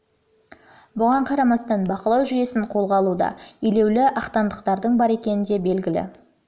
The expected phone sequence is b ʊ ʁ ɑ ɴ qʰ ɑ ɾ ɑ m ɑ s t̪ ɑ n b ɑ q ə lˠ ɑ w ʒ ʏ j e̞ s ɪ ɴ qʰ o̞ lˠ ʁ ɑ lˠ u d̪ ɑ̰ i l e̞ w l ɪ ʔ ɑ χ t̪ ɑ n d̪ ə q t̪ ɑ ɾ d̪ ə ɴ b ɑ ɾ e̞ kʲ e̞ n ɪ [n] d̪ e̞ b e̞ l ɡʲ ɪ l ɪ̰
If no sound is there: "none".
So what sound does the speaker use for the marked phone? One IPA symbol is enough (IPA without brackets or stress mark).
n